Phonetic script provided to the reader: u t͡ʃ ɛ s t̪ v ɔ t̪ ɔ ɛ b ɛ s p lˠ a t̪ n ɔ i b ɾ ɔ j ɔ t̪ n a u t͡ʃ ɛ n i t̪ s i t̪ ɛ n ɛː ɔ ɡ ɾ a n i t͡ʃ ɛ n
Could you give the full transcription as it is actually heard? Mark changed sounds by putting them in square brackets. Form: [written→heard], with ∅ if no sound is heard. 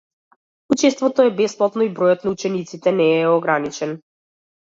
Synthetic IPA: u t͡ʃ ɛ s t̪ v ɔ t̪ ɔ ɛ b ɛ s p lˠ a t̪ n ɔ i b ɾ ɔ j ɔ t̪ n a u t͡ʃ ɛ n i t̪ s i t̪ ɛ n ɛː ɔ ɡ ɾ a n i t͡ʃ ɛ n